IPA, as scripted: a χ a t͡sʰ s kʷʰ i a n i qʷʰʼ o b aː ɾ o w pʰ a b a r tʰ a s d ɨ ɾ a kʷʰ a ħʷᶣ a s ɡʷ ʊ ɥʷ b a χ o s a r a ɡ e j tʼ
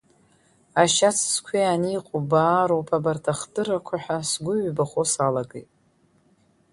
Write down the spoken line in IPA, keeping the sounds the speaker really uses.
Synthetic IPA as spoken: a ʃ a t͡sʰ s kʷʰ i a n i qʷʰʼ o b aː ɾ o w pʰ a b a r tʰ a χ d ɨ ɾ a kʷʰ a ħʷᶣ a s ɡʷ ʊ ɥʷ b a χ o s a l a ɡ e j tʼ